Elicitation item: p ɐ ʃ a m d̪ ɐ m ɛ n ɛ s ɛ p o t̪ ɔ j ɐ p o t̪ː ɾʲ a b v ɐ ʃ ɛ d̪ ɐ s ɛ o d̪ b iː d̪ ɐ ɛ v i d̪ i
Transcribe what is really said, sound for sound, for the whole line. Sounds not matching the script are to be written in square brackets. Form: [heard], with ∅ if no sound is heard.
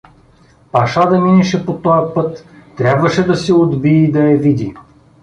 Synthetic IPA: p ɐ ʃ a [∅] d̪ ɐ m [i] n ɛ [ʃ] ɛ p o t̪ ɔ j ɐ p [ɤ] t̪ː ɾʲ a b v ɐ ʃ ɛ d̪ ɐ s ɛ o d̪ b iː d̪ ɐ ɛ v i d̪ i